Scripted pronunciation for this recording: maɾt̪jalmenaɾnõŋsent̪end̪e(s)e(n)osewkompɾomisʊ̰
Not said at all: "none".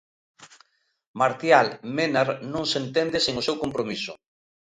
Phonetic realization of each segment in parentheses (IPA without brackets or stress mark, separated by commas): s, ŋ